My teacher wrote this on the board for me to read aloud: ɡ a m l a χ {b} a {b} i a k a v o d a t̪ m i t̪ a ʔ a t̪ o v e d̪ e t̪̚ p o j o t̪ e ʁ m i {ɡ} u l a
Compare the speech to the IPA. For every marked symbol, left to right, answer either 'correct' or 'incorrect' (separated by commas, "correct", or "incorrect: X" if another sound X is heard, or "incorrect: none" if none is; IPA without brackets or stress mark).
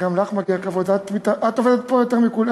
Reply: incorrect: m, incorrect: ɡ, incorrect: k